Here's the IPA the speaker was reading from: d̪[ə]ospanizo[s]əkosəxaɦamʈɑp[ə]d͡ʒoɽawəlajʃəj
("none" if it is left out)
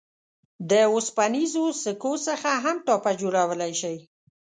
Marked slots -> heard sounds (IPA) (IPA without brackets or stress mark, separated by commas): ə, s, a